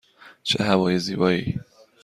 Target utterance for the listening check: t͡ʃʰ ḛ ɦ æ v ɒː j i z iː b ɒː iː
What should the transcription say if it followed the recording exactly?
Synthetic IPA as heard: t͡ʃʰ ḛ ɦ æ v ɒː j e z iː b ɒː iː